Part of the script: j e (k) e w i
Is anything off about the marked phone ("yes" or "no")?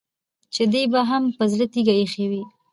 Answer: yes